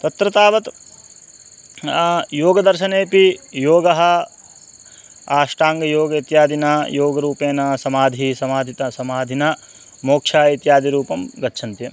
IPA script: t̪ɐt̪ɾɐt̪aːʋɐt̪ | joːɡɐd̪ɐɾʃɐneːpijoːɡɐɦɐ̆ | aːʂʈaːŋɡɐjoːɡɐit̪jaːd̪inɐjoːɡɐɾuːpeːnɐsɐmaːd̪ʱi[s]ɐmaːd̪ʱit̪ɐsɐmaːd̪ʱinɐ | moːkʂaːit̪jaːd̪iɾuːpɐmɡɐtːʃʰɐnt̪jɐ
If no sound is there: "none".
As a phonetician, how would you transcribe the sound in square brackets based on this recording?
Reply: s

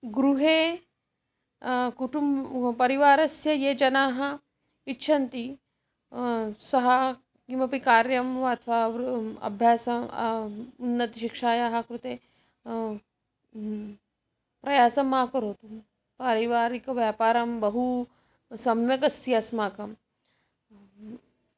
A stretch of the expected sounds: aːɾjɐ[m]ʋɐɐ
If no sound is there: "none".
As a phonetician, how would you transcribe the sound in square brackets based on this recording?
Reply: m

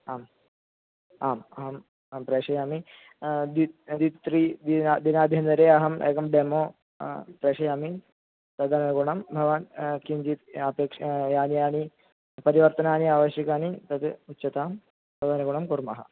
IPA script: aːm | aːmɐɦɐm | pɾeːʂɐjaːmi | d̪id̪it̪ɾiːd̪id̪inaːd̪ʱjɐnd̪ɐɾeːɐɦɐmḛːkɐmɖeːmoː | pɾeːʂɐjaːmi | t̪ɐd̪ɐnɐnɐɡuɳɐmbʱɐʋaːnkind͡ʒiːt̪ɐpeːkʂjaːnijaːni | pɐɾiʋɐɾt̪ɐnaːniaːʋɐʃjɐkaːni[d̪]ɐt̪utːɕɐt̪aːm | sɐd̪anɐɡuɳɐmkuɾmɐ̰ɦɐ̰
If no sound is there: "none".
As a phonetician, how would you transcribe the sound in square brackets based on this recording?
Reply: t̪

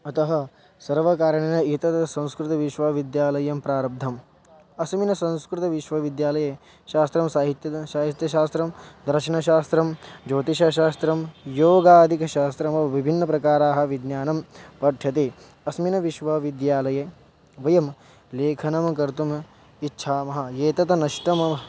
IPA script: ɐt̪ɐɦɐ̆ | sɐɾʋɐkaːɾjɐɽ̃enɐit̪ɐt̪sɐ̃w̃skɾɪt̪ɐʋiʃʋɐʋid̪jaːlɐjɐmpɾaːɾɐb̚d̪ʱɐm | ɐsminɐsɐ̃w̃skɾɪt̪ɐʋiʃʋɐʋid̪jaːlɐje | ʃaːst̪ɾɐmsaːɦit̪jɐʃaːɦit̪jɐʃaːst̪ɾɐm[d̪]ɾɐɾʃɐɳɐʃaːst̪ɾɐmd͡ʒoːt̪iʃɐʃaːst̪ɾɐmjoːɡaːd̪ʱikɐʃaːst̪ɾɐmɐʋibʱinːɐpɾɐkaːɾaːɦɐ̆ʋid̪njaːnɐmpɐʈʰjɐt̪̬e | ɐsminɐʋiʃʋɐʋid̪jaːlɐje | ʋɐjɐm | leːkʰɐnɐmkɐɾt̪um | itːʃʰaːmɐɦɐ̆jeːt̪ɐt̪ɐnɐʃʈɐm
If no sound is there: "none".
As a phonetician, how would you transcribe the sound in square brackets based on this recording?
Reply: d̪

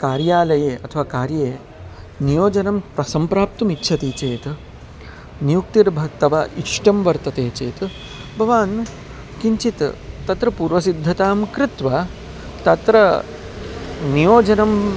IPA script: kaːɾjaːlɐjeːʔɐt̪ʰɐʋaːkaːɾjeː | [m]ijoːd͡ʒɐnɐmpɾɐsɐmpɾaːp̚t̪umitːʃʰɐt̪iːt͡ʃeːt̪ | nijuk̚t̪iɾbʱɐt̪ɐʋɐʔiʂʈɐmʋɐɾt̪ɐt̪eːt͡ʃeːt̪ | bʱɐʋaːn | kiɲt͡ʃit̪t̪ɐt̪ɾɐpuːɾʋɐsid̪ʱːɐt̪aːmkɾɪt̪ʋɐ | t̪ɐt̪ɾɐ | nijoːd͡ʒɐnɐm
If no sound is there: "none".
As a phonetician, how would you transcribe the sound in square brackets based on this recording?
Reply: n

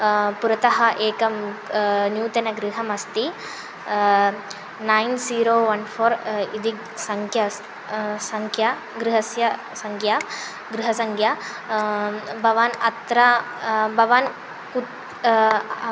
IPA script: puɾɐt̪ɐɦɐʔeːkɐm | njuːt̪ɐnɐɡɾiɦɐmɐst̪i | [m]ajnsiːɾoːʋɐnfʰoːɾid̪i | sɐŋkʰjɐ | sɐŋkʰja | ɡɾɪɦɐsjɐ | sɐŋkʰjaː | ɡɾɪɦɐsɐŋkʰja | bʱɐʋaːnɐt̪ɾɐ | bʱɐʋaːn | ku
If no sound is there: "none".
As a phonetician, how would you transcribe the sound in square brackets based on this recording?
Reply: n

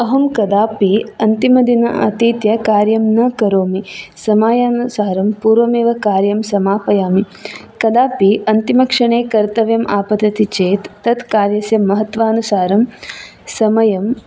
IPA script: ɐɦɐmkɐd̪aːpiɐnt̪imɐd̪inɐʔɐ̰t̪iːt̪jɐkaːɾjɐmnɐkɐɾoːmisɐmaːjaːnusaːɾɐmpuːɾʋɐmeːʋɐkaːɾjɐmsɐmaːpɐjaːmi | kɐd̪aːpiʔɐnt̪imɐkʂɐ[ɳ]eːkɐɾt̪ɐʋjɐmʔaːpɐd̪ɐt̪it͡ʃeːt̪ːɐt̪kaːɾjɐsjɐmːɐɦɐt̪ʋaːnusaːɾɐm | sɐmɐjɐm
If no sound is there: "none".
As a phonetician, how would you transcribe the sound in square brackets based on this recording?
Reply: ɳ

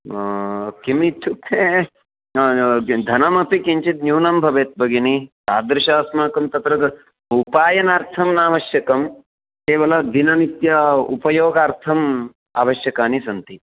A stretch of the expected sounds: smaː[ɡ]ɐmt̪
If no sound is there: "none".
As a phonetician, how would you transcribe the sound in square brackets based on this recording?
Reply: k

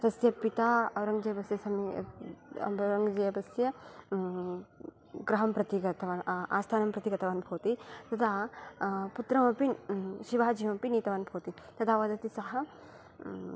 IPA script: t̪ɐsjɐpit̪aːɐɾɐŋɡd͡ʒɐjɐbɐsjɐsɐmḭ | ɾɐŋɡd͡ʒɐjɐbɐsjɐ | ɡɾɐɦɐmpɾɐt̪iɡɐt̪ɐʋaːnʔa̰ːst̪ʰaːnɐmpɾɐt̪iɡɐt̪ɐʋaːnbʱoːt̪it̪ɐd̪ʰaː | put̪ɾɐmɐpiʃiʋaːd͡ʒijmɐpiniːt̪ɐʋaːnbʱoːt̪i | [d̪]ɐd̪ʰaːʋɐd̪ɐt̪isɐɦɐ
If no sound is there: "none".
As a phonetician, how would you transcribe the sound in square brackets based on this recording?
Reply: t̪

